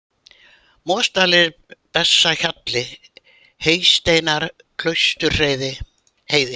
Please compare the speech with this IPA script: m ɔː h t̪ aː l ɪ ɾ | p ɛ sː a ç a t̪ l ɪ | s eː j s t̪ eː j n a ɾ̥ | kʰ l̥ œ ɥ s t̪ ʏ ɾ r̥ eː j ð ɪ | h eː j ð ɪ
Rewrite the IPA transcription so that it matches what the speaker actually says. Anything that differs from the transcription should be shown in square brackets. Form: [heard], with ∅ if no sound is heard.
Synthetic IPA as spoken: m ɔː [s] t̪ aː l ɪ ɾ | p ɛ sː a ç a t̪ l ɪ | [h] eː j s t̪ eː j n a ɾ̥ | kʰ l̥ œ ɥ s t̪ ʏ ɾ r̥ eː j ð ɪ | h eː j ð ɪ